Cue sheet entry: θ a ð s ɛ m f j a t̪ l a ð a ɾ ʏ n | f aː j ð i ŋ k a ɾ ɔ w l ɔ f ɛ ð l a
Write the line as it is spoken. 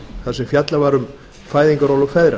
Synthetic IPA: θ a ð s ɛ m f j a t̪ l a v a ɾ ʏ m | f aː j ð i ŋ k a ɾ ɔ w l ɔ f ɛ ð ɾ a